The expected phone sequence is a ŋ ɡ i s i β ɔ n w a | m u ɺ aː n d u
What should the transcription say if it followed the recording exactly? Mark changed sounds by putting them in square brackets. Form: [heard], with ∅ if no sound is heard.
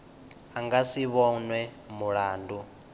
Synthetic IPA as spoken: a ŋ ɡ [a] s i β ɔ n w [ɛ] | m u ɺ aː n d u

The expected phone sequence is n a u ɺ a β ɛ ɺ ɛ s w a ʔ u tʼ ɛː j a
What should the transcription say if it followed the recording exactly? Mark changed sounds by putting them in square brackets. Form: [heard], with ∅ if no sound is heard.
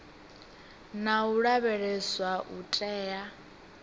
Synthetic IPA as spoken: n a u ɺ a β ɛ ɺ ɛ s w a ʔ u tʼ ɛː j a

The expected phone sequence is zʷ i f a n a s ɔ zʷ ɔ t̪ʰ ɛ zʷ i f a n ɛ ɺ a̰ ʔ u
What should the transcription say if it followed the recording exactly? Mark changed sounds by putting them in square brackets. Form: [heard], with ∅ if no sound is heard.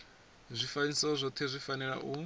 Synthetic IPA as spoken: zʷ i f a n [i] s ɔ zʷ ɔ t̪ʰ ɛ zʷ i f a n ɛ ɺ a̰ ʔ u

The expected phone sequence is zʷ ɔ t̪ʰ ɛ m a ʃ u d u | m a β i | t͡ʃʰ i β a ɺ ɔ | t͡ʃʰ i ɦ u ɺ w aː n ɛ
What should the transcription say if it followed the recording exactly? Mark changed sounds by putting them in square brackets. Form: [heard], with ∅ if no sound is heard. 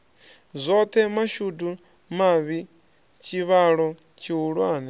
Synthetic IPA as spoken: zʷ ɔ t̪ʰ ɛ m a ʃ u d u | m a β i | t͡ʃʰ i β a ɺ ɔ | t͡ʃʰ i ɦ u ɺ w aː n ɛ

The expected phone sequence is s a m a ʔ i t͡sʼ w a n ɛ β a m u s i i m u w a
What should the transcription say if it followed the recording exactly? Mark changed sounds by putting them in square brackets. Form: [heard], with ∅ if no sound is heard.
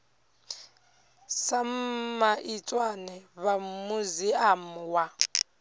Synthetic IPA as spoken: s a m a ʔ i t͡sʼ w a n ɛ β a m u [z] i [a] m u w a

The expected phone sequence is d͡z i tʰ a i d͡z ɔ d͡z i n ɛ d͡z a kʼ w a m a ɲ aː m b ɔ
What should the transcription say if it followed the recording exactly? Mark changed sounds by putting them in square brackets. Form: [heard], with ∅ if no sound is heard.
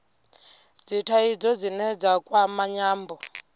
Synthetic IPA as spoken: d͡z i tʰ a i d͡z ɔ d͡z i n ɛ d͡z a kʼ w a m a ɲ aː m b ɔ

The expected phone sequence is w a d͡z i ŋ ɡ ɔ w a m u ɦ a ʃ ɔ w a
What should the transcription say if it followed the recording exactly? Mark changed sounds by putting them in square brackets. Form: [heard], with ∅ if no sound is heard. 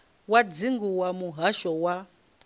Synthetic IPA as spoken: w a d͡z i ŋ ɡ [u] w a m u ɦ a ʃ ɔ w a

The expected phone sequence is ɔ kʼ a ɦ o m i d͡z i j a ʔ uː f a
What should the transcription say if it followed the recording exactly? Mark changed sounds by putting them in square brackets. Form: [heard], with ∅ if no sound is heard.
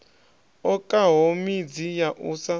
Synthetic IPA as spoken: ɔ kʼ a ɦ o m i d͡z i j a ʔ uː [s] a

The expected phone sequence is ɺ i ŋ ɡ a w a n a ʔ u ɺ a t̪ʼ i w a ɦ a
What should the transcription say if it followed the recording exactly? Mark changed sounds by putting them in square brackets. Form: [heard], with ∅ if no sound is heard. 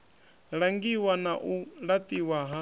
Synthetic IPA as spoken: ɺ [a] ŋ ɡ [i] w a n a ʔ u ɺ a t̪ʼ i w a ɦ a

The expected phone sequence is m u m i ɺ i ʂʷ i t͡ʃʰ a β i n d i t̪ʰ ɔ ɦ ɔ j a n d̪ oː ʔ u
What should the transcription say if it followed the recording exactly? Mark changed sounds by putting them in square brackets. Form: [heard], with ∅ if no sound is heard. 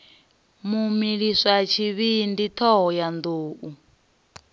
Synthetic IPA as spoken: m u m i ɺ i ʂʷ [a] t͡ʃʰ [i] β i n d i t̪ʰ ɔ ɦ ɔ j a n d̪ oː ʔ u

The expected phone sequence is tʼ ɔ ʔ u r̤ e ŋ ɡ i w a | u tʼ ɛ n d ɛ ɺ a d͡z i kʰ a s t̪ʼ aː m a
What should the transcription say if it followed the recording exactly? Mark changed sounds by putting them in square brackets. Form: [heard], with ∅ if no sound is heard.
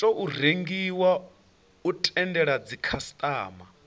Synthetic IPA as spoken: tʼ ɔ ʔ u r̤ e ŋ ɡ i w a | u tʼ ɛ n d ɛ ɺ a d͡z i kʰ a s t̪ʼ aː m a

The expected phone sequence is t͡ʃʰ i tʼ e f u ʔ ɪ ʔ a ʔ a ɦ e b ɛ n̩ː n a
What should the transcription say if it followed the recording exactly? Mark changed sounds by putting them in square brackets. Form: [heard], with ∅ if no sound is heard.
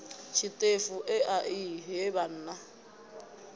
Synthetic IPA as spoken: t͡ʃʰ i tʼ e f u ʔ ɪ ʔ a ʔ [i] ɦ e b [a] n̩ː n a

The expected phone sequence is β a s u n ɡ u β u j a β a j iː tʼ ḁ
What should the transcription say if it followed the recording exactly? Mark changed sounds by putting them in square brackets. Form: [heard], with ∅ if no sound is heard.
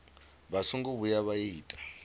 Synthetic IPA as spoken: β a s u [ŋ] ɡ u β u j a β a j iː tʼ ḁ

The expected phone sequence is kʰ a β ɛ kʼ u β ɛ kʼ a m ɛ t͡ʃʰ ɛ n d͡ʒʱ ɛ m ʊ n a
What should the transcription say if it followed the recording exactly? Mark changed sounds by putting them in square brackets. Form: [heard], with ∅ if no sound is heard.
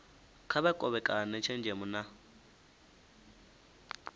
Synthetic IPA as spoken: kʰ a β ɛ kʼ [ɔ] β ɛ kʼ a [n] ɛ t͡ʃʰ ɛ n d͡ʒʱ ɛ m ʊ n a

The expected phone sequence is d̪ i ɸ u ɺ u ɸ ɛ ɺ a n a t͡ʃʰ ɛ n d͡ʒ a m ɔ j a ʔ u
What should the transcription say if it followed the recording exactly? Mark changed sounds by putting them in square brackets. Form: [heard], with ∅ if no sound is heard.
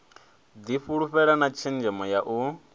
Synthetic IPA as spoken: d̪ i ɸ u ɺ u ɸ ɛ ɺ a n a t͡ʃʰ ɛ n d͡ʒ [ɛ] m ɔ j a ʔ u

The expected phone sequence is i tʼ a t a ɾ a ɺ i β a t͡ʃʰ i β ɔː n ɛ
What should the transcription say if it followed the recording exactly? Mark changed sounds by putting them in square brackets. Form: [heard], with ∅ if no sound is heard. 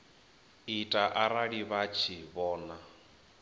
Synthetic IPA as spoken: i tʼ a [ʔ] a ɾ a ɺ i β a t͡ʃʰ i β ɔː n [a]

